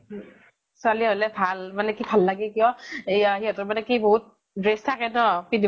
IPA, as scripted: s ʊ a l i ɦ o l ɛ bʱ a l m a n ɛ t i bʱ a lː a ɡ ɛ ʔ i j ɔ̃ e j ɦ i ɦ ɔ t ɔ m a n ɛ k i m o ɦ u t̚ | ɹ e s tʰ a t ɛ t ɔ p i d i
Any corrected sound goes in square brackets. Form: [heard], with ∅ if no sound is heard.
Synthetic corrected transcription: s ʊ a l i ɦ o l ɛ bʱ a l m a n ɛ [k] i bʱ a lː a ɡ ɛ [k] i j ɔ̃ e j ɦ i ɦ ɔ t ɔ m a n ɛ k i [b] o ɦ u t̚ | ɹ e s tʰ a [k] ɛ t ɔ p i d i